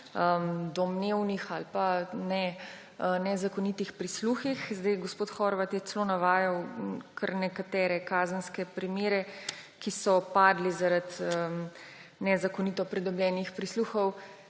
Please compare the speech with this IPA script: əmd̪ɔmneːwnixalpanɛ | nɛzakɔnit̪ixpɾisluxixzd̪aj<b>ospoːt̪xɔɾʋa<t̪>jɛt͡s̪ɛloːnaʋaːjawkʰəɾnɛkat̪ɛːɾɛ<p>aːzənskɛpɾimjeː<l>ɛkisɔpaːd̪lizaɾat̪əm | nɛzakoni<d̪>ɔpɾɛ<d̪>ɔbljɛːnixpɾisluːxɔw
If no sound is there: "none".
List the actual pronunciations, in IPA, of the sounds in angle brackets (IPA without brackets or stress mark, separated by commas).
ɡ, t̪, k, ɾ, t̪, d̪